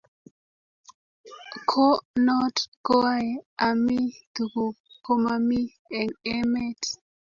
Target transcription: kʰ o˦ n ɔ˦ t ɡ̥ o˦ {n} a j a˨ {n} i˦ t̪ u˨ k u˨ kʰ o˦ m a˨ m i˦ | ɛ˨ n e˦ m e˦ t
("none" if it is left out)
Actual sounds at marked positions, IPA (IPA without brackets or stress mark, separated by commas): none, m